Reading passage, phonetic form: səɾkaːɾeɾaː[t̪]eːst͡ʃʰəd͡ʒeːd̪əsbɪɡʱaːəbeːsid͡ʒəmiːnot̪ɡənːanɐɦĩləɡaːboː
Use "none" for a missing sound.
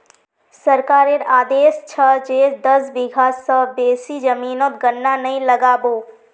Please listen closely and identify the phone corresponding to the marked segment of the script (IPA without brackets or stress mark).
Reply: d̪